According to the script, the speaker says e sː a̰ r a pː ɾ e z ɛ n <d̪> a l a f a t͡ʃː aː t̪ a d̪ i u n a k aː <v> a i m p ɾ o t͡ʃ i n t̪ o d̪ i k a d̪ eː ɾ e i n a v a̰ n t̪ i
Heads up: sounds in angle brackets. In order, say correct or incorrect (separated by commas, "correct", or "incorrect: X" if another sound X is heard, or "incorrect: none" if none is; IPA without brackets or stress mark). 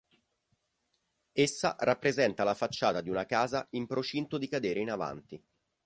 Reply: incorrect: t̪, incorrect: z